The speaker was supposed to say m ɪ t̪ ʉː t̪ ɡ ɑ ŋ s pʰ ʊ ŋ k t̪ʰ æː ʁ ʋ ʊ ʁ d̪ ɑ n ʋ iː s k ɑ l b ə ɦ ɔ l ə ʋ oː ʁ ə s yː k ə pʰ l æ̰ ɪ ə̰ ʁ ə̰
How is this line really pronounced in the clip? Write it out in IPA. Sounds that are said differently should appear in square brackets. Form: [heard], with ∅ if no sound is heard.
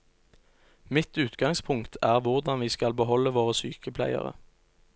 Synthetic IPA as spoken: m ɪ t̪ ʉː t̪ ɡ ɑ ŋ s pʰ ʊ ŋ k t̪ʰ æː ʁ ʋ ʊ ʁ d̪ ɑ n ʋ iː s k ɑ l b ə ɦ ɔ l ə ʋ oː ʁ ə s yː k ə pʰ l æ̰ ɪ ə̰ ʁ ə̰